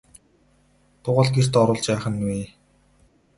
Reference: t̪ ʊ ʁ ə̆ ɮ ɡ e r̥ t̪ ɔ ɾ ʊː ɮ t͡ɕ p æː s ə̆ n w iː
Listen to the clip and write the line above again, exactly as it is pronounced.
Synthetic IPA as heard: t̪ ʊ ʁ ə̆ ɮ ɡ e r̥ t̪ ɔ ɾ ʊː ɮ t͡ɕ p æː χ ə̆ n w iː